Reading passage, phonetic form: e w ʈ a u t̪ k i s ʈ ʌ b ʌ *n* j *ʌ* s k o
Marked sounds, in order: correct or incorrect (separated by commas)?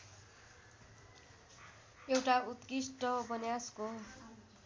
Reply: correct, incorrect